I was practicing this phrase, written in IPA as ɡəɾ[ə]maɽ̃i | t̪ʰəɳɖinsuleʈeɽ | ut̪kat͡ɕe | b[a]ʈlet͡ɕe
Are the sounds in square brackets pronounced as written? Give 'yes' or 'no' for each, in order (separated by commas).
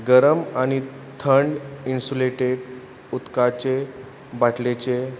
yes, yes